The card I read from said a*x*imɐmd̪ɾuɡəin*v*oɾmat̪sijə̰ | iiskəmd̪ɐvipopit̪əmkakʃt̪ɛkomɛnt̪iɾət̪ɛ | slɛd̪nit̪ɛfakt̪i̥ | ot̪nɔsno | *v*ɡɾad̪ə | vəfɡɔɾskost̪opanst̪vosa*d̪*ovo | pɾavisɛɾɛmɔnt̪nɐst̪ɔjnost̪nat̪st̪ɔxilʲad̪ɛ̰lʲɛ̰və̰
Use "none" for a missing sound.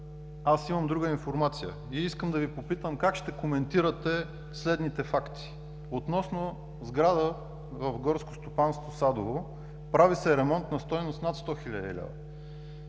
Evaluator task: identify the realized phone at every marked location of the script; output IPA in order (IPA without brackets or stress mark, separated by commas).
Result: s, f, z, d̪